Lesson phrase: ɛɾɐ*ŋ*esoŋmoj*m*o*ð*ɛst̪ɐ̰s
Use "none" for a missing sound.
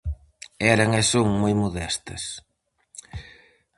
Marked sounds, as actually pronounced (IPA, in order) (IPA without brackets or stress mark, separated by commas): ŋ, m, ð